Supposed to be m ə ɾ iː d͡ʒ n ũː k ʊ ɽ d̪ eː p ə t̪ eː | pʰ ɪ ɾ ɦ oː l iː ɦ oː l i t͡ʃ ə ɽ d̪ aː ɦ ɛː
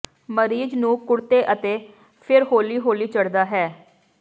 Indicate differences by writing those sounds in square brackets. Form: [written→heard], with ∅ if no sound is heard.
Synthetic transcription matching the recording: m ə ɾ iː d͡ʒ n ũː k ʊ ɽ [d̪→t̪] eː [p→ʔ] ə t̪ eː | pʰ ɪ ɾ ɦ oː l iː ɦ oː l [i→iː] t͡ʃ ə ɽ d̪ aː ɦ ɛː